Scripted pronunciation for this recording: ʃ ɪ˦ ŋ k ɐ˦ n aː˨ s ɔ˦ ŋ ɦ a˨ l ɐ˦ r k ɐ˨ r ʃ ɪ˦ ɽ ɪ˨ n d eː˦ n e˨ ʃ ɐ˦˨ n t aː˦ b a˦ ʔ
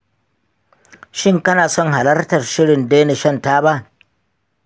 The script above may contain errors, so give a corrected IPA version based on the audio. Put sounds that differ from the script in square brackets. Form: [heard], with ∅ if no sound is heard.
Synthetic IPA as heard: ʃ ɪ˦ ŋ k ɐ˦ n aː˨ s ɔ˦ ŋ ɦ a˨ l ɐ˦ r [t] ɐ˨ r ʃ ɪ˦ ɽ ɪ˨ n d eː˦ n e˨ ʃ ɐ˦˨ n t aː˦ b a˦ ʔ